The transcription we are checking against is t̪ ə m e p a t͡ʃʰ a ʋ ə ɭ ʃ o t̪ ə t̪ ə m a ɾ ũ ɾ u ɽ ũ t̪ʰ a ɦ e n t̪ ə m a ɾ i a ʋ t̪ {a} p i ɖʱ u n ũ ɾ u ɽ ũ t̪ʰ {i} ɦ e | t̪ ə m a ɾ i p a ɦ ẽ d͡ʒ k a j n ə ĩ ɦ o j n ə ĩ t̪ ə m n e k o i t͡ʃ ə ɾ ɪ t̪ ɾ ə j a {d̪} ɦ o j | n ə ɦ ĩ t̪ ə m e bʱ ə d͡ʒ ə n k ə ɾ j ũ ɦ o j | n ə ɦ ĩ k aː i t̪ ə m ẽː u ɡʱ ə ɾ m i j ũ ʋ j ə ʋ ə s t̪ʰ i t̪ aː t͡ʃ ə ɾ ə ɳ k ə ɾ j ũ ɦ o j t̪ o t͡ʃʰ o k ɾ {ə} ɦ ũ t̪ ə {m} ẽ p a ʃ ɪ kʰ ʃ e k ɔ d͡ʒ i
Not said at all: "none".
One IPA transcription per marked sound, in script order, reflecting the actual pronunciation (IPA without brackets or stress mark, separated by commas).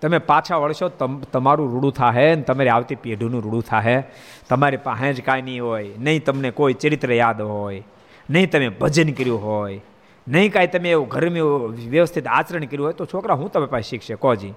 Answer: i, a, d̪, a, m